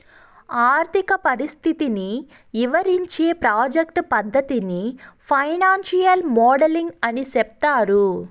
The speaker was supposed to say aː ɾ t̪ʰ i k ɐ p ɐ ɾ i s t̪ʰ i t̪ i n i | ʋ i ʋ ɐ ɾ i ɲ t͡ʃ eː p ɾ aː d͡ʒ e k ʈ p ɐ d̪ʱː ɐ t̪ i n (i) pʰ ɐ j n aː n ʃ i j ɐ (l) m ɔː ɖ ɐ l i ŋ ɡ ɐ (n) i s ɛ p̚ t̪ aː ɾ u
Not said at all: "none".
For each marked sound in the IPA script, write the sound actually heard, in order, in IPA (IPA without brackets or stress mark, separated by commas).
i, l, n